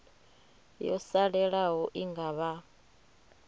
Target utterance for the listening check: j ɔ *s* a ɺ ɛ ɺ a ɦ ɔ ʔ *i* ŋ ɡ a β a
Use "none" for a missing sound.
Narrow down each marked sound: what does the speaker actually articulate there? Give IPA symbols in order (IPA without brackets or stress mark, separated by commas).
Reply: s, i